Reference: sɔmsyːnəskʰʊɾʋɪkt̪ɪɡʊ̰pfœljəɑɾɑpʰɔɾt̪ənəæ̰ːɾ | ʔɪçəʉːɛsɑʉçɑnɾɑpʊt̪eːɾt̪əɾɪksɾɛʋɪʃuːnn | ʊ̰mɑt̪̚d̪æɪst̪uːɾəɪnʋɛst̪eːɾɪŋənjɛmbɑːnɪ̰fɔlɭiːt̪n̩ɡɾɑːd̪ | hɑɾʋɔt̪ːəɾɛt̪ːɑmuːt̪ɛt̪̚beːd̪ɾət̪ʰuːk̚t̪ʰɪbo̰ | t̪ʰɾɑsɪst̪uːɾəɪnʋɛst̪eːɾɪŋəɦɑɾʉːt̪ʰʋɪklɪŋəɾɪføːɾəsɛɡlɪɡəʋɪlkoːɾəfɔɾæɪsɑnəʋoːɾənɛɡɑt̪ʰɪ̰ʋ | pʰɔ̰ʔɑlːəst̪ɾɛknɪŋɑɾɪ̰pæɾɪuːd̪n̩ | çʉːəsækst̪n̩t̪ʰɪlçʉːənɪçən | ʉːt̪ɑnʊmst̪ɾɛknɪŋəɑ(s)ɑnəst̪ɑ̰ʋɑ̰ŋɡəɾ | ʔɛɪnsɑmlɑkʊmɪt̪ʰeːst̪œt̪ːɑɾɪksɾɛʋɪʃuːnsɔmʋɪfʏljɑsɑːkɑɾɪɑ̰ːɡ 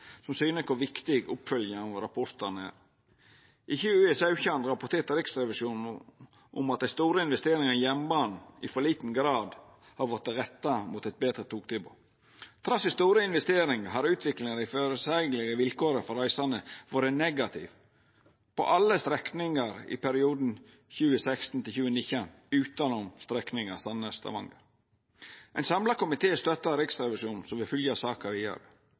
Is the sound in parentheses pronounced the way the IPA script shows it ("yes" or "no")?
yes